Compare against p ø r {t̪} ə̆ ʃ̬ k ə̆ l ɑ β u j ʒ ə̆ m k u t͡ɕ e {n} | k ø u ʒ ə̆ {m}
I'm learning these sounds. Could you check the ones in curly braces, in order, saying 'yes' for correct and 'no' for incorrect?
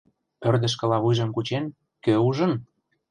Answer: no, yes, no

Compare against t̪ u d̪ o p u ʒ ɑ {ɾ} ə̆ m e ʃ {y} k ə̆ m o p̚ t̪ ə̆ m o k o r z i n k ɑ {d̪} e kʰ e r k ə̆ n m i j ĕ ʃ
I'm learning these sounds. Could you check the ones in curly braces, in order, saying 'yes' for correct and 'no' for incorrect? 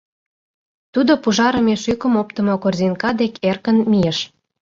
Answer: yes, yes, yes

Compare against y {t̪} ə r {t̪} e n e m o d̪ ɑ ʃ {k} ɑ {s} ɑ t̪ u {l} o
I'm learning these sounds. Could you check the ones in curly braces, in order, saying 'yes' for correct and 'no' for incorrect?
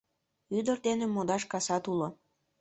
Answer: no, no, yes, yes, yes

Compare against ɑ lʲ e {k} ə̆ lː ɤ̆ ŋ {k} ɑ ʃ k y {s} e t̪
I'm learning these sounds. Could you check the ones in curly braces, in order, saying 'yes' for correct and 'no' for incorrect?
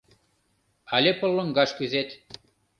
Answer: no, no, no

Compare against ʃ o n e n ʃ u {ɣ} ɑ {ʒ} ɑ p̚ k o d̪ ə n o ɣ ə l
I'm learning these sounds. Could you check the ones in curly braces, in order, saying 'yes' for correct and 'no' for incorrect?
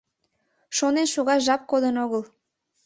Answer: yes, yes

